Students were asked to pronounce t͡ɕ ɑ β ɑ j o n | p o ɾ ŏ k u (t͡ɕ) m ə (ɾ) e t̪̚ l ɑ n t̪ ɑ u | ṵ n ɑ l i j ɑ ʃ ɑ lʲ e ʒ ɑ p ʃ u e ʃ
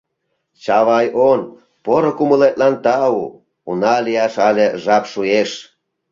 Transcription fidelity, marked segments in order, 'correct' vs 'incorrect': incorrect: none, incorrect: l

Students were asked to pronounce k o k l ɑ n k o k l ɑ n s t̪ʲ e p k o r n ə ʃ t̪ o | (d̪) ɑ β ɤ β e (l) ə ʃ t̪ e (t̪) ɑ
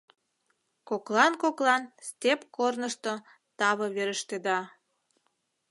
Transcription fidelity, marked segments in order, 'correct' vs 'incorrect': incorrect: t̪, incorrect: ɾ, incorrect: d̪

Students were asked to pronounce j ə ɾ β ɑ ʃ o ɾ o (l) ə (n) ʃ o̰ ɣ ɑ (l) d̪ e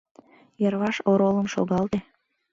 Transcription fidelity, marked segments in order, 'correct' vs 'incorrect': correct, incorrect: m, correct

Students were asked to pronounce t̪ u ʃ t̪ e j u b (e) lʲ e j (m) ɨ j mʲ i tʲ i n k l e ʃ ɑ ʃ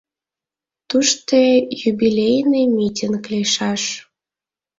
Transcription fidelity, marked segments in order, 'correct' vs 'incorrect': incorrect: i, incorrect: n

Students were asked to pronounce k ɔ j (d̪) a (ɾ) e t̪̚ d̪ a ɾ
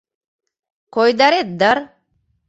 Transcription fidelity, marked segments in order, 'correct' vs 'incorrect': correct, correct

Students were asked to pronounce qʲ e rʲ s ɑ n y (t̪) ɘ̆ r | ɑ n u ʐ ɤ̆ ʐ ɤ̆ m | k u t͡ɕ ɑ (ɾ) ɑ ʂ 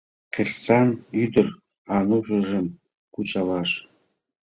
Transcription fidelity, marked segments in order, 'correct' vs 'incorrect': incorrect: d̪, incorrect: l

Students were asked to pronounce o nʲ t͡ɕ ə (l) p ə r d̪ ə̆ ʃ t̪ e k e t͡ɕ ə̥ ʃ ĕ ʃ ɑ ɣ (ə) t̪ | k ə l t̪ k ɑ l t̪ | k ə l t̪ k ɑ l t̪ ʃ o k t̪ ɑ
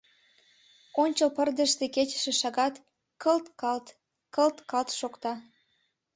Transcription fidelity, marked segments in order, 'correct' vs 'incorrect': correct, incorrect: ɑ

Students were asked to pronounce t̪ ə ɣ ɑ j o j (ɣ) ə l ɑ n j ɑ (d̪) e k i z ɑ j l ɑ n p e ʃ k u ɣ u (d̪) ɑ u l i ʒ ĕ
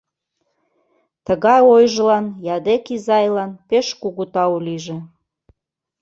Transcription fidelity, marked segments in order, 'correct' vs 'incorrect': incorrect: ʒ, correct, incorrect: t̪

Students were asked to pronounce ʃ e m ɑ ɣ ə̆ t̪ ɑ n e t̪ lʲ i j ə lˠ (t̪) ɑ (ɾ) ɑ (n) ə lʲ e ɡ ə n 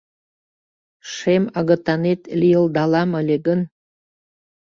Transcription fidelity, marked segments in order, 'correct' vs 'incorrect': incorrect: d̪, incorrect: l, incorrect: m

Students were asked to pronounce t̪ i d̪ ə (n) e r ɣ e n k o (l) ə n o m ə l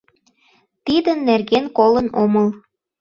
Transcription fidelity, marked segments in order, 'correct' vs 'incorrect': incorrect: nː, correct

